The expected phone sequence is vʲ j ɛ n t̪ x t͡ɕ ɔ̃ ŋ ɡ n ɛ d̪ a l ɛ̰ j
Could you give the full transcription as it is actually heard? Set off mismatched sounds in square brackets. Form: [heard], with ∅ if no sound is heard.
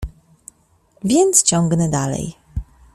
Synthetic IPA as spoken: vʲ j ɛ n t̪ [s] t͡ɕ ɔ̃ ŋ ɡ n ɛ d̪ a l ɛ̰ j